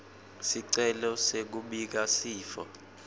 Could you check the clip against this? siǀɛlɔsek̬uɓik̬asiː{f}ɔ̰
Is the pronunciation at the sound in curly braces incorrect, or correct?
correct